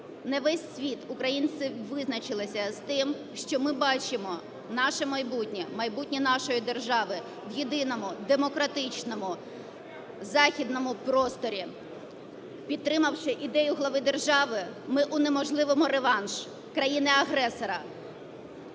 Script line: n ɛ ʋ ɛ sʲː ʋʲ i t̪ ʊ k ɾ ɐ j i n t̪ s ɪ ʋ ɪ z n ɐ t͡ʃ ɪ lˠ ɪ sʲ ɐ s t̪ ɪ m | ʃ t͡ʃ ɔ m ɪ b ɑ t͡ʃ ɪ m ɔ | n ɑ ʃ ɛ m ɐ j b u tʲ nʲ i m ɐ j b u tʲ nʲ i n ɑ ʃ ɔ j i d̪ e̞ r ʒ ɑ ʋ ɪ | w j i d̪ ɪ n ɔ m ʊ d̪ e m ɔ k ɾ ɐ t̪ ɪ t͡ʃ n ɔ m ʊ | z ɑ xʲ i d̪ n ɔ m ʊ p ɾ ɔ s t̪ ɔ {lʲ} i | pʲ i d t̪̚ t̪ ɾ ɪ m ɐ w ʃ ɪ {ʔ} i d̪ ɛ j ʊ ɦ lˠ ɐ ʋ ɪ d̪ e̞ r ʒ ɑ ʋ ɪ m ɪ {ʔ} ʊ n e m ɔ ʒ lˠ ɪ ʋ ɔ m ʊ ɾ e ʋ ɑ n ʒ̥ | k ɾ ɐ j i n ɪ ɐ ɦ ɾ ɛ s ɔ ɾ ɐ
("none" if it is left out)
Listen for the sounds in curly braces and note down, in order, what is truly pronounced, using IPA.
ɾʲ, ʔ, ʔ

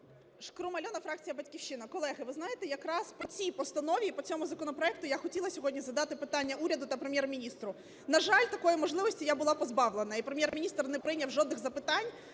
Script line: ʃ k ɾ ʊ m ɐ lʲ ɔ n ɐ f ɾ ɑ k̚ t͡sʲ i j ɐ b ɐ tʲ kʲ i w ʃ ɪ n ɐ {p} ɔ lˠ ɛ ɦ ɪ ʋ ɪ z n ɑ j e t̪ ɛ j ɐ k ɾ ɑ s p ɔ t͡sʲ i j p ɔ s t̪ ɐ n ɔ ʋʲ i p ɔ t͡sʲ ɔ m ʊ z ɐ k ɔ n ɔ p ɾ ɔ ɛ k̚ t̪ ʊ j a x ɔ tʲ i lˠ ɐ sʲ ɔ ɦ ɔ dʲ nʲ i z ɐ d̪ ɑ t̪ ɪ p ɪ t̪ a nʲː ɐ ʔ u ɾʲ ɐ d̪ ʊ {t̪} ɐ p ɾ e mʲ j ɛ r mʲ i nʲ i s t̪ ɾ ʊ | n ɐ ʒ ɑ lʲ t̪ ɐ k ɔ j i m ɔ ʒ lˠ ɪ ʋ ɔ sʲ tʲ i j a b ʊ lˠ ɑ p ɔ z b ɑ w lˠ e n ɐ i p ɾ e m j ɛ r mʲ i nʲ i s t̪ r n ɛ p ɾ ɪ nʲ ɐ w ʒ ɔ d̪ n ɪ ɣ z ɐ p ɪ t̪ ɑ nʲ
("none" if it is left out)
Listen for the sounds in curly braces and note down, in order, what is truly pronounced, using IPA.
k, t̪

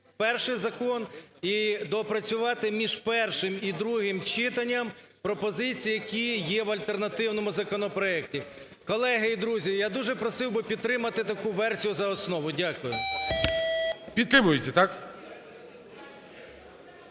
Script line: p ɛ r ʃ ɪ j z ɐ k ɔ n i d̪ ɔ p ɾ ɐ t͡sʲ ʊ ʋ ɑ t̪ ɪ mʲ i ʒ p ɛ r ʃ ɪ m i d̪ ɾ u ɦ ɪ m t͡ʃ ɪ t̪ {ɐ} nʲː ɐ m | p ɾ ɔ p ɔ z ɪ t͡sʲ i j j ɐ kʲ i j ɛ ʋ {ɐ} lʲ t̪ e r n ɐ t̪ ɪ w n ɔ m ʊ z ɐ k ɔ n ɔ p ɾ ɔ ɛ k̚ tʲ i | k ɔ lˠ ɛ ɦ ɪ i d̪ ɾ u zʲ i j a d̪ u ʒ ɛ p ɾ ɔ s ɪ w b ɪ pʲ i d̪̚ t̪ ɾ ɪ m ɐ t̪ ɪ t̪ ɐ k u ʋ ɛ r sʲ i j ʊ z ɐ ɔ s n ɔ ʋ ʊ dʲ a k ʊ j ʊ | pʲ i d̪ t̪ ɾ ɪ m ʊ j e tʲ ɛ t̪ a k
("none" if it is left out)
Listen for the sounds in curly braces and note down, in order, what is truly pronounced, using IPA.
ɐ, ɐ

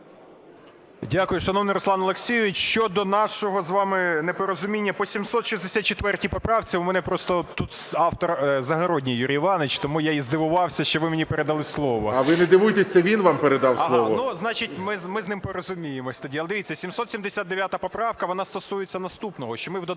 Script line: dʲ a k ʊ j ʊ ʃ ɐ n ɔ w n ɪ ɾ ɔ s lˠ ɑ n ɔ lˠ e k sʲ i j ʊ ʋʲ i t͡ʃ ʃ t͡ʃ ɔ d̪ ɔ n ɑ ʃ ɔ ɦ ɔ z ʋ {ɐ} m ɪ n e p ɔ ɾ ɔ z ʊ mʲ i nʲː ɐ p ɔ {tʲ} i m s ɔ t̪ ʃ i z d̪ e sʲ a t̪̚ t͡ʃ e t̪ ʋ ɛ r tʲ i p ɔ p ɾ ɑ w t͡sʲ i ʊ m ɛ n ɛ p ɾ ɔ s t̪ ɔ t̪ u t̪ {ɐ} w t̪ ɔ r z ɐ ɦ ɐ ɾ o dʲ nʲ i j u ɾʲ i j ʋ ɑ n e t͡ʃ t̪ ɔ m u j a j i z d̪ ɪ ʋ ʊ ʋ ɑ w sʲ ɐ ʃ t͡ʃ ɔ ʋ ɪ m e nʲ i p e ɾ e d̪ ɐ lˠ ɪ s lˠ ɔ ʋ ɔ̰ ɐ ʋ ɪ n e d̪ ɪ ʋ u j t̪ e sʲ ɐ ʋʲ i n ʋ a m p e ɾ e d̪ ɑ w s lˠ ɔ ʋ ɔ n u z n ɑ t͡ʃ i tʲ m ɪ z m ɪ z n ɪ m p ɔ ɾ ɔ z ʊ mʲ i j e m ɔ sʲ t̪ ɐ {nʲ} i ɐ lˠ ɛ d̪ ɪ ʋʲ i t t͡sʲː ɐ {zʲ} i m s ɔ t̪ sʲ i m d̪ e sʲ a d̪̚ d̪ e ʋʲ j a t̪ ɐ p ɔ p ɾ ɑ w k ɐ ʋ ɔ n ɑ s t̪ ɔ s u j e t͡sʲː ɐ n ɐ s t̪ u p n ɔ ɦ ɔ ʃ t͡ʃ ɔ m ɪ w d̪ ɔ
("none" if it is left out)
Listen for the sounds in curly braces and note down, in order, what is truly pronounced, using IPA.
ɑ, sʲ, ɑ, dʲ, sʲ

